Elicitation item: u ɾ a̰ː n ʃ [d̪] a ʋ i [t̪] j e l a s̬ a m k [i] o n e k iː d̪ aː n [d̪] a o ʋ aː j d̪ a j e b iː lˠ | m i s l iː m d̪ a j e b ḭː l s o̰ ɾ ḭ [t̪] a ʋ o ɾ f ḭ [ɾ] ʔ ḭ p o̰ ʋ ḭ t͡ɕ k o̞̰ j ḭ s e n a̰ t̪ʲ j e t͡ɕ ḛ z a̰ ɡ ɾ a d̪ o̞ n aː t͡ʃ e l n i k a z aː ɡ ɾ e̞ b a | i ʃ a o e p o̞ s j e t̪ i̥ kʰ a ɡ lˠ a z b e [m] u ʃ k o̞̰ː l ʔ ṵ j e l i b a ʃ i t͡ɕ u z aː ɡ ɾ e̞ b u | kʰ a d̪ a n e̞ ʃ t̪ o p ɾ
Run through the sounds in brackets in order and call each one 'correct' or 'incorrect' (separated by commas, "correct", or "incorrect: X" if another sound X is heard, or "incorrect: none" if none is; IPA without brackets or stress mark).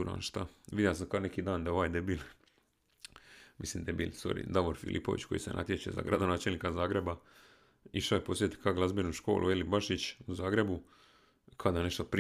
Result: incorrect: t̪, incorrect: d̪, incorrect: a, correct, incorrect: d̪, incorrect: l, incorrect: n